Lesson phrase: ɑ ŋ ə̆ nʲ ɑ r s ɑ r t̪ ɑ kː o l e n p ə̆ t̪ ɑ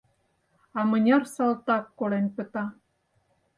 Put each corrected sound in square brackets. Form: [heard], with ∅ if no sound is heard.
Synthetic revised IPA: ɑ [m] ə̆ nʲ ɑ r s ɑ [l] t̪ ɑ kː o l e n p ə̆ t̪ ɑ